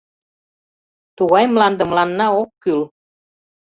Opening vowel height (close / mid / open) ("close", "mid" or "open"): close